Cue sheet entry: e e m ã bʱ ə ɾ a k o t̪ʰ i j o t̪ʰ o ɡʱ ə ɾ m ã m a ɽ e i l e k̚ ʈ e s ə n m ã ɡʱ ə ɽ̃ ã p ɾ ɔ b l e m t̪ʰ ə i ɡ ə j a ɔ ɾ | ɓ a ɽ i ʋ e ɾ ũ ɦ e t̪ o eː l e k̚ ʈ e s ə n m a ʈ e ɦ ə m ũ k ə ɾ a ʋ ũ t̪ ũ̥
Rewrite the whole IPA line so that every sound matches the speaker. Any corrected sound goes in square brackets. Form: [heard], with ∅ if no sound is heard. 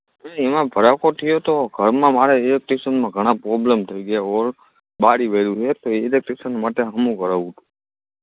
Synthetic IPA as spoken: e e m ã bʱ ə ɾ a k o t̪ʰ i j o [t̪] o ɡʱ ə ɾ m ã m a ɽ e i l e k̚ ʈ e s ə n m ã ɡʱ ə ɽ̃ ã p ɾ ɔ b l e m t̪ʰ ə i ɡ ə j a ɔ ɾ | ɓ a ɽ i ʋ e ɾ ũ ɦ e t̪ o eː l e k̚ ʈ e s ə n m a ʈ e ɦ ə m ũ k ə ɾ a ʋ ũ t̪ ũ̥